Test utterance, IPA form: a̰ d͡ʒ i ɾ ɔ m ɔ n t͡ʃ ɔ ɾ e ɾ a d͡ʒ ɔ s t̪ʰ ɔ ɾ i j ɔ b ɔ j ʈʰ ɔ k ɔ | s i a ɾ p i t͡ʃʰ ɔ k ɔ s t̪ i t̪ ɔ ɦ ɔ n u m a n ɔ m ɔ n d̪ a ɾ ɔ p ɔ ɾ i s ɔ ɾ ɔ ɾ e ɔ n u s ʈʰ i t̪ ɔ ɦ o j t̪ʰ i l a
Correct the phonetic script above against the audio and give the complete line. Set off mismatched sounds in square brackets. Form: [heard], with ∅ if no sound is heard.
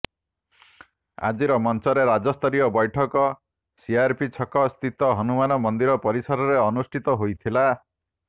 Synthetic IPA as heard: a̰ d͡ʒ i ɾ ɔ m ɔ n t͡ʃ ɔ ɾ e ɾ a d͡ʒ ɔ s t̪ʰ ɔ ɾ i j ɔ b ɔ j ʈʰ ɔ k ɔ | s i a ɾ p i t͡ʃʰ ɔ k ɔ s t̪ i t̪ ɔ ɦ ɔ n u m a n ɔ m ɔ n d̪ [i] ɾ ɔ p ɔ ɾ i s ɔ ɾ ɔ ɾ e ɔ n u s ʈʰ i t̪ ɔ ɦ o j t̪ʰ i l a